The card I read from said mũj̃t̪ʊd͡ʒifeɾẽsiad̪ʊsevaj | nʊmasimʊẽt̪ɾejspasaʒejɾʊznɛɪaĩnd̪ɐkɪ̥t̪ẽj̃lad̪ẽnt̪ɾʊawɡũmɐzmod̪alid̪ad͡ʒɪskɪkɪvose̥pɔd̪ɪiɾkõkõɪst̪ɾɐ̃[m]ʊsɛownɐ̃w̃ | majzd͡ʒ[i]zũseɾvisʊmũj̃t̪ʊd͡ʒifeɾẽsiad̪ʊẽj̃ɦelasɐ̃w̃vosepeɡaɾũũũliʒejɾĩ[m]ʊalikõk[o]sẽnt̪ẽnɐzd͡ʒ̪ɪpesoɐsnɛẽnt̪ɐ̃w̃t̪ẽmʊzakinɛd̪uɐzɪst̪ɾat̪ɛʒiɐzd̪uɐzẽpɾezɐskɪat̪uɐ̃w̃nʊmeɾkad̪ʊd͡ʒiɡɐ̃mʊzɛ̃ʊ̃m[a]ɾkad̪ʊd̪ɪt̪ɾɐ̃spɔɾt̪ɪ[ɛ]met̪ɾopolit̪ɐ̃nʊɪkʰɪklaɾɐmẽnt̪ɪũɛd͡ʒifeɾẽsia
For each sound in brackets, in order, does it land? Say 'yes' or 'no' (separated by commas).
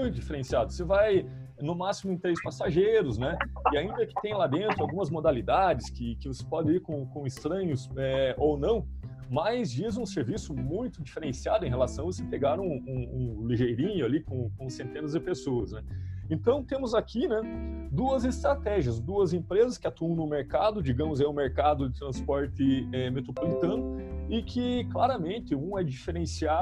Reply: no, yes, no, no, no, yes